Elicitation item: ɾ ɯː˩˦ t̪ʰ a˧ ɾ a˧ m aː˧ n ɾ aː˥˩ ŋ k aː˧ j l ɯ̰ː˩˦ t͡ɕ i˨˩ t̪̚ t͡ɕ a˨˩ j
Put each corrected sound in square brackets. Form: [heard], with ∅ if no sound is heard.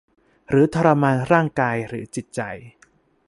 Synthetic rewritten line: ɾ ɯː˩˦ t̪ʰ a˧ ɾ a˧ m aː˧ n ɾ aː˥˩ ŋ k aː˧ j [ɾ] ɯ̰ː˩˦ t͡ɕ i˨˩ t̪̚ t͡ɕ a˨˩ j